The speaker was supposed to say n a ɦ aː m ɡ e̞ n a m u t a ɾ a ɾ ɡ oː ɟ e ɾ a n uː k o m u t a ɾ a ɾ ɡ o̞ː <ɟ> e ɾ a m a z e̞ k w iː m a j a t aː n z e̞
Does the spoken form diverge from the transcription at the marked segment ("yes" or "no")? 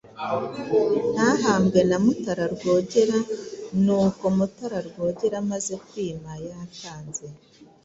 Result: no